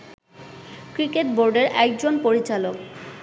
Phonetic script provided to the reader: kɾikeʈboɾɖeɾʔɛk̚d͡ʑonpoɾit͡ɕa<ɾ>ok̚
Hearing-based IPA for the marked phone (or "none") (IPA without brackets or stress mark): l